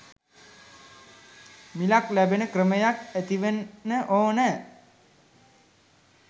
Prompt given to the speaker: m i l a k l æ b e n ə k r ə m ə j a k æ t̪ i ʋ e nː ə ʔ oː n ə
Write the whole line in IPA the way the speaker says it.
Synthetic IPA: m i l a k l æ b e n ə k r ə m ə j a k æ t̪ i ʋ e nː ə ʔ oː n ə